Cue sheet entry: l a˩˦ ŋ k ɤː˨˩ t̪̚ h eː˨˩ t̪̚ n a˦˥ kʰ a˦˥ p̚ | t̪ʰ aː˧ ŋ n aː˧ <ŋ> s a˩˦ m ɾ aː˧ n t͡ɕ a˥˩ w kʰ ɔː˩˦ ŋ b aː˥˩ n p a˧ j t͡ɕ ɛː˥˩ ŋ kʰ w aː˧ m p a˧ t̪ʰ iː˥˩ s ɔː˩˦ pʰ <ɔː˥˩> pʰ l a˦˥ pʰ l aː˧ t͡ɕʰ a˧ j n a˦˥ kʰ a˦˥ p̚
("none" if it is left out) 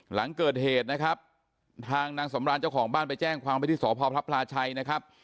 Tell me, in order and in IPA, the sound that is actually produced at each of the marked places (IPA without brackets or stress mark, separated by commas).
ŋ, ɔː˧